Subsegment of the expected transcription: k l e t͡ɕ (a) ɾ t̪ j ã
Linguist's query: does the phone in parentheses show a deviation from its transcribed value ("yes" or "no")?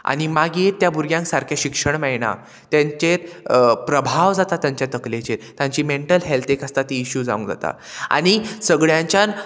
yes